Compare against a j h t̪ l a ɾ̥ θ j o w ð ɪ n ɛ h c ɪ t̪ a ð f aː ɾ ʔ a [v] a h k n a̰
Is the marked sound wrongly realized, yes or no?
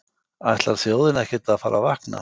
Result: no